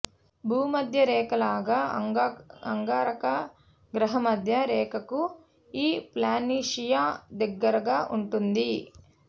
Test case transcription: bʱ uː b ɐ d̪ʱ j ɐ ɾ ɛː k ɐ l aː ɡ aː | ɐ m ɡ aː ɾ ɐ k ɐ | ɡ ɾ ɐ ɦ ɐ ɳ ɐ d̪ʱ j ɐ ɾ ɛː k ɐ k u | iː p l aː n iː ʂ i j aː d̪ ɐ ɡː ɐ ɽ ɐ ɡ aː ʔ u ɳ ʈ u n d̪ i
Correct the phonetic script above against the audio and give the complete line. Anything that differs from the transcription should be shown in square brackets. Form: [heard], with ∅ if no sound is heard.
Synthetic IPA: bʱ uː [m] ɐ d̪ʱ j ɐ ɾ ɛː k ɐ l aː ɡ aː | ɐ [ŋ] ɡ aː ɾ ɐ k ɐ | ɡ ɾ ɐ ɦ ɐ [m] ɐ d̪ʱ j ɐ ɾ ɛː k ɐ k u | iː p l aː n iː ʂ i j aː d̪ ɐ ɡː ɐ [ɾ] ɐ ɡ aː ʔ u ɳ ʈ u n d̪ i